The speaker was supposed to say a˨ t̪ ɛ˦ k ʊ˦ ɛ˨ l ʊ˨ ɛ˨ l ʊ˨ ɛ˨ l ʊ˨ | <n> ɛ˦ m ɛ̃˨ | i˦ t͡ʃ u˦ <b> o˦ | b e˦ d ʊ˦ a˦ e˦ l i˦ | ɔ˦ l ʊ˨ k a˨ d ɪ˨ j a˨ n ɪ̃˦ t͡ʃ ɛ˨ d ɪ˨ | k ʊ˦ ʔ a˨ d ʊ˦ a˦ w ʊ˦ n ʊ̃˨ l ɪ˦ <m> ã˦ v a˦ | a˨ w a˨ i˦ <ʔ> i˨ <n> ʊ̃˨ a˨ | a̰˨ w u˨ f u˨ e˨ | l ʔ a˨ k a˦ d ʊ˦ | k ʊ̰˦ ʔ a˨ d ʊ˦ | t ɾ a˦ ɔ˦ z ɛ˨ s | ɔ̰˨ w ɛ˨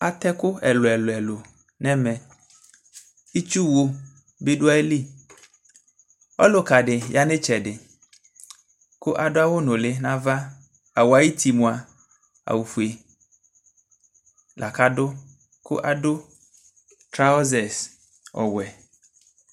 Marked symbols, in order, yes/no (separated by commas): yes, no, no, no, no